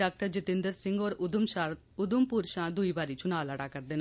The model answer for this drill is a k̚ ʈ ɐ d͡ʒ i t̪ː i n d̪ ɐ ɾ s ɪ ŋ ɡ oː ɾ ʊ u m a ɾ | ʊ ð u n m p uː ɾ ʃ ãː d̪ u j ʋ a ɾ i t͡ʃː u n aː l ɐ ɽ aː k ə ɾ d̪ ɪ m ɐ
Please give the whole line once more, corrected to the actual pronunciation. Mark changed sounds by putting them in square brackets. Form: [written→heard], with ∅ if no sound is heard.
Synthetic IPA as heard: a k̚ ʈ ɐ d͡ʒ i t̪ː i n d̪ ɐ ɾ s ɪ ŋ ɡ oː ɾ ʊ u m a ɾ | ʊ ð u [n→∅] m p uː ɾ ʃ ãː d̪ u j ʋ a ɾ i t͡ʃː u n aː l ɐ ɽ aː k [ə→ɐ] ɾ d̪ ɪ [m→n] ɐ